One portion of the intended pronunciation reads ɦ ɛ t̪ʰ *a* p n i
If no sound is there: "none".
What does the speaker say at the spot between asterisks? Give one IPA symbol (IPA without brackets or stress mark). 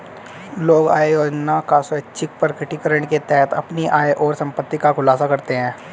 ɐ